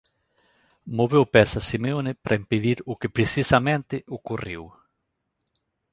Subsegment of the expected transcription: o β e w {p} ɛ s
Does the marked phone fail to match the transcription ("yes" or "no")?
no